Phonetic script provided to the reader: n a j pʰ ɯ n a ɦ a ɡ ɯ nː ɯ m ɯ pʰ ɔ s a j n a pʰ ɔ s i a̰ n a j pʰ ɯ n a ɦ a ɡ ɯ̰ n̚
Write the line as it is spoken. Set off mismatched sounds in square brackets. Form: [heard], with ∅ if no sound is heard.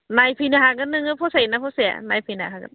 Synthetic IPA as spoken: n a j pʰ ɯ n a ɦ a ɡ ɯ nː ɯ [ŋ] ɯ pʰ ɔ s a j n a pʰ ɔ s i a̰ n a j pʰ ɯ n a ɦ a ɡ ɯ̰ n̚